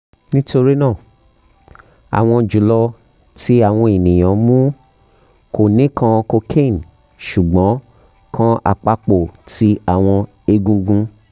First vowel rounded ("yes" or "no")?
no